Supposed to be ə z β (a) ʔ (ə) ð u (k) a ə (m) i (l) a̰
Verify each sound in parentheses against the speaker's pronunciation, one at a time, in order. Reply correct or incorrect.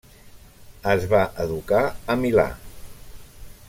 correct, correct, correct, correct, correct

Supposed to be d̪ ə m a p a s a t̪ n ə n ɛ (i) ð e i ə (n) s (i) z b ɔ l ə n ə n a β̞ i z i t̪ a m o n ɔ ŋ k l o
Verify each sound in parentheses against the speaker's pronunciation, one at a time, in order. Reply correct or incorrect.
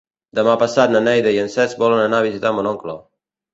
incorrect, correct, incorrect

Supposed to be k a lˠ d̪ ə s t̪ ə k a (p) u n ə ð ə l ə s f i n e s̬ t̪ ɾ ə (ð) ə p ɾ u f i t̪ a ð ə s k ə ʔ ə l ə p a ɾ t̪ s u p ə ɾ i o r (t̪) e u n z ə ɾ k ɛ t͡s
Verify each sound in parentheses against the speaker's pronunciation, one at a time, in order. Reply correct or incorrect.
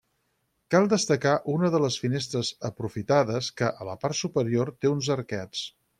incorrect, incorrect, correct

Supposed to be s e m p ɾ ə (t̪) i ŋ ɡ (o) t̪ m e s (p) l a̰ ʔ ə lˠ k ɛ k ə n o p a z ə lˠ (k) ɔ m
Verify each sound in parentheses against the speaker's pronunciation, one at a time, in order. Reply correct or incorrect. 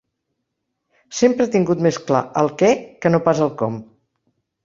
correct, incorrect, incorrect, correct

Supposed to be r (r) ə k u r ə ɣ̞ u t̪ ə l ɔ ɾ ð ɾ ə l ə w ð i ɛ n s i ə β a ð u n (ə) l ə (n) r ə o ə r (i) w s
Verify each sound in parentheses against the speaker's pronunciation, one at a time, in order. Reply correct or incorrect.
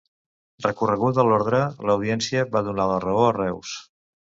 correct, incorrect, incorrect, incorrect

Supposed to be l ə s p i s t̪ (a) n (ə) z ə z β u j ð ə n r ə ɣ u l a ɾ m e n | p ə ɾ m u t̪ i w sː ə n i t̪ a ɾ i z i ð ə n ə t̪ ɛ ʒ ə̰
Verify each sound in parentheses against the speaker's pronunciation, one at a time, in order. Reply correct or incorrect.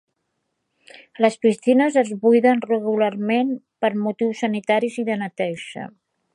incorrect, correct

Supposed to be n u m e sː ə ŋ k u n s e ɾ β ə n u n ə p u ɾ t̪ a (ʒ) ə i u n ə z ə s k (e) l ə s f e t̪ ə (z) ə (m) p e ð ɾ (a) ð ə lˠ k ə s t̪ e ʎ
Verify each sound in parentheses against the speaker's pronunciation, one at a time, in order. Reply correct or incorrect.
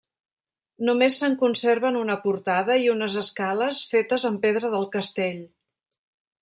incorrect, incorrect, correct, correct, incorrect

